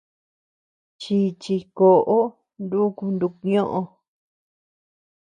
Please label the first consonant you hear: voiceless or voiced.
voiceless